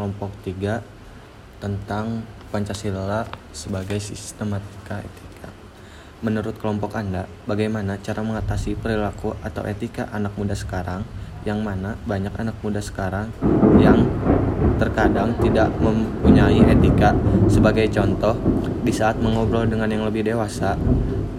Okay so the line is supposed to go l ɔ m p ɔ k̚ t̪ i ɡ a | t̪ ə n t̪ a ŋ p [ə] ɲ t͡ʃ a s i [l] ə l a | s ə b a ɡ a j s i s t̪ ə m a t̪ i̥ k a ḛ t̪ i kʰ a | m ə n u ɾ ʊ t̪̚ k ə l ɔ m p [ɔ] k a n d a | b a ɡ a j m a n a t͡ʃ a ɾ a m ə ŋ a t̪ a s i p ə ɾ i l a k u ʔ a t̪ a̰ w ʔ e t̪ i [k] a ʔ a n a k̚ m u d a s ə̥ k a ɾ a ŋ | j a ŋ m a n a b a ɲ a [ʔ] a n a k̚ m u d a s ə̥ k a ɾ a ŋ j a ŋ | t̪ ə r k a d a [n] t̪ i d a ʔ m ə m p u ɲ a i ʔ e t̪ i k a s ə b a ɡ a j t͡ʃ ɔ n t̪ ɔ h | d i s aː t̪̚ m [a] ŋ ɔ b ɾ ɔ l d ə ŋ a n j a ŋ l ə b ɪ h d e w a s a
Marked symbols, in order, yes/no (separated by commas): no, yes, yes, yes, no, no, no